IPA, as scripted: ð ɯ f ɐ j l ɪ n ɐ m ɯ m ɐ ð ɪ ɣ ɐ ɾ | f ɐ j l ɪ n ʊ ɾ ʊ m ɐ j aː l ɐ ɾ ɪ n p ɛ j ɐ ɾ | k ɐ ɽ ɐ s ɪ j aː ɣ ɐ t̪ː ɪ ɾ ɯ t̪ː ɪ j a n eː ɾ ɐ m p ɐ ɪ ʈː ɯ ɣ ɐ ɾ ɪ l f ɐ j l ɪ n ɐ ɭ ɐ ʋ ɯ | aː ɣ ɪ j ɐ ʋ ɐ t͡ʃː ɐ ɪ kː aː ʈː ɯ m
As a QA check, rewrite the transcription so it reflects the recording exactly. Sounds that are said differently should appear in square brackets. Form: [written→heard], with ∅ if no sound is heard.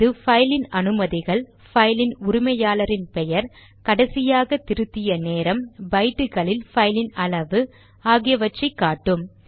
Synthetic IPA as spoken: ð ɯ f ɐ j l ɪ n ɐ [m→n] ɯ m ɐ ð ɪ ɣ ɐ [ɾ→ɭ] | f ɐ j l ɪ n ʊ ɾ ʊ m ɐ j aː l ɐ ɾ ɪ n p ɛ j ɐ ɾ | k ɐ ɽ ɐ s ɪ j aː ɣ ɐ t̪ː ɪ ɾ ɯ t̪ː ɪ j [a→ɐ] n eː ɾ ɐ m [p→b] ɐ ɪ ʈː ɯ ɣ ɐ [ɾ→ɭ] ɪ l f ɐ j l ɪ n ɐ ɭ ɐ ʋ ɯ | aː ɣ ɪ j ɐ ʋ ɐ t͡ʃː ɐ ɪ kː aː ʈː ɯ m

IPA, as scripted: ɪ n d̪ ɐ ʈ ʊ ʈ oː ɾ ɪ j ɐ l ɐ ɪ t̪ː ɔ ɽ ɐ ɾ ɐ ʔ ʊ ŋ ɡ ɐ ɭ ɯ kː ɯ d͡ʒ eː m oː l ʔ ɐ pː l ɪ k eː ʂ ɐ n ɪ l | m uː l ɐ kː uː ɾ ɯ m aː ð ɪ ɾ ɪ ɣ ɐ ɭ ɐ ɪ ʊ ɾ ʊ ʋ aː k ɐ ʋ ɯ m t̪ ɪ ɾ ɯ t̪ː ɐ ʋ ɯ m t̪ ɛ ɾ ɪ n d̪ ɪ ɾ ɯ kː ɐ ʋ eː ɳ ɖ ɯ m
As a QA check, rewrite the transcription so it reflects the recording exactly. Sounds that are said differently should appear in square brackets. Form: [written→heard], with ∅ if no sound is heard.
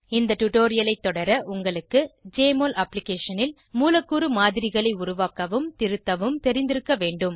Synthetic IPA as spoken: ɪ n d̪ ɐ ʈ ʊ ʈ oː ɾ ɪ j ɐ l ɐ ɪ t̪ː ɔ ɽ ɐ ɾ ɐ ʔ ʊ ŋ ɡ ɐ ɭ ɯ kː ɯ d͡ʒ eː m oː l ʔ ɐ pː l ɪ k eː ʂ ɐ n ɪ l | m uː l ɐ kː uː ɾ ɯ m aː ð ɪ ɾ ɪ ɣ ɐ ɭ ɐ ɪ ʊ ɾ ʊ ʋ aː k ɐ ʋ ɯ m t̪ ɪ ɾ ɯ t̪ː ɐ ʋ ɯ m t̪ ɛ ɾ ɪ n d̪ ɪ ɾ ɯ kː ɐ ʋ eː ɳ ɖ ɯ m

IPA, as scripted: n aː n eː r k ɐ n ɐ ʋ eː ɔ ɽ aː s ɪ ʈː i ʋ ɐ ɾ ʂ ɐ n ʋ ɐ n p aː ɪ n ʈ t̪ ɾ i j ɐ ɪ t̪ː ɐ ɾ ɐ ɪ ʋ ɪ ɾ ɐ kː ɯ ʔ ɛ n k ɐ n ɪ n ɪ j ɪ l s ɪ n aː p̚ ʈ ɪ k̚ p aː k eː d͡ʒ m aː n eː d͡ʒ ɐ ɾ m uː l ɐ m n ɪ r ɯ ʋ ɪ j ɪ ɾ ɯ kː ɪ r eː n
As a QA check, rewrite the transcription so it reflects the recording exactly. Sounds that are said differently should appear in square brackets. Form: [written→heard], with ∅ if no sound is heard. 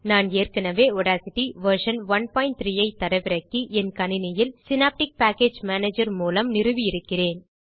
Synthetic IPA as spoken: n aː n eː r k ɐ n ɐ ʋ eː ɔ ɽ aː s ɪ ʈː i ʋ ɐ ɾ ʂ ɐ n ʋ ɐ n p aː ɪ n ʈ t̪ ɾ i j ɐ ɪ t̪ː ɐ ɾ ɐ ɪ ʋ ɪ ɾ ɐ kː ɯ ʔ ɛ n k ɐ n ɪ n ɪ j ɪ l s ɪ n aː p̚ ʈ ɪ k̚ p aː k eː d͡ʒ m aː n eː d͡ʒ ɐ ɾ m uː l ɐ m n ɪ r ɯ ʋ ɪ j ɪ ɾ ɯ kː ɪ r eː n

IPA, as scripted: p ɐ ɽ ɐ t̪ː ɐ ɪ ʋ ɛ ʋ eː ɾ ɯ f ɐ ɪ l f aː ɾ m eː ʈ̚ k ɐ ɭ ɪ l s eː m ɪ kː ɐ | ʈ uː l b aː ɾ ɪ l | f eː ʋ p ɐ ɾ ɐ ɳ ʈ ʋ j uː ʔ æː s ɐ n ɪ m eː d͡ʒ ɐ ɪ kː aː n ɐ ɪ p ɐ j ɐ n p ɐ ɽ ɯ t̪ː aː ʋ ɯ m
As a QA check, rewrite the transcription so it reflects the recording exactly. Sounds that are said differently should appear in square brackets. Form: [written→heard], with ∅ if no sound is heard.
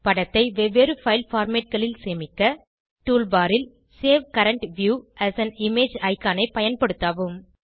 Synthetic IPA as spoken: p ɐ ɽ ɐ t̪ː ɐ ɪ ʋ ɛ ʋ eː ɾ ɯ f ɐ ɪ l f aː ɾ m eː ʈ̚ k ɐ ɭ ɪ l s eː m ɪ kː ɐ | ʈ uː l b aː ɾ ɪ l | [f→s] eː ʋ [p→k] ɐ ɾ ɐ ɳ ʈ ʋ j uː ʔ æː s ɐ n ɪ m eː d͡ʒ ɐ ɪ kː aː n ɐ ɪ p ɐ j ɐ n p ɐ ɽ ɯ t̪ː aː ʋ ɯ m

